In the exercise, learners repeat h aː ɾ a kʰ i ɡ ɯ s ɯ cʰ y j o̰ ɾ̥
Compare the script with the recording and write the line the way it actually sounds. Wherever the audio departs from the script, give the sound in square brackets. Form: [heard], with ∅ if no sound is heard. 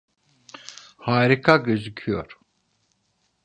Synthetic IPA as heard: h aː ɾ [i] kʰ [a] ɡ ɯ [z] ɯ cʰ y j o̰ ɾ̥